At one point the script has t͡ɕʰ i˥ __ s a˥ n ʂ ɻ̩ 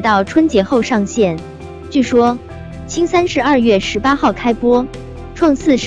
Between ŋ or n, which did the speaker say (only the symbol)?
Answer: ŋ